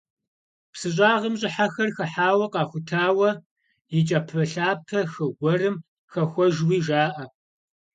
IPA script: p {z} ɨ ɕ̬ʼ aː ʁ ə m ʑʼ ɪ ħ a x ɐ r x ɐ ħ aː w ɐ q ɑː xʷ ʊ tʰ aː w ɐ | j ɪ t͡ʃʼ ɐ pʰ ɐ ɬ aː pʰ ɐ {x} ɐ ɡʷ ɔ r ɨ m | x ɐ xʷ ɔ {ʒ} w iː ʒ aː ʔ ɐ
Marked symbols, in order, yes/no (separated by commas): no, yes, yes